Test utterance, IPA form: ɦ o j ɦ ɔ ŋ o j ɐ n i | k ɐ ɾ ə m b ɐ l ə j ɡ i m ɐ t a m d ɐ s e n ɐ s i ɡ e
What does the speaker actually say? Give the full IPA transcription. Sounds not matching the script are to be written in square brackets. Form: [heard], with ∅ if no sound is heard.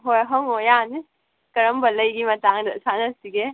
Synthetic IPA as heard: ɦ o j ɦ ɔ ŋ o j [a] n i | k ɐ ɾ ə m b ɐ l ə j ɡ i m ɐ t a [ŋ] d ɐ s [a] n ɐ s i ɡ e